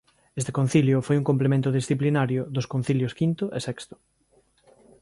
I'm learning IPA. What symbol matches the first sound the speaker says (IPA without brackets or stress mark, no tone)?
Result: e